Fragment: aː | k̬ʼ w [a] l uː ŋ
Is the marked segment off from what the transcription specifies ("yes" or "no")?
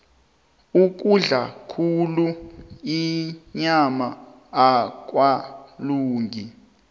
no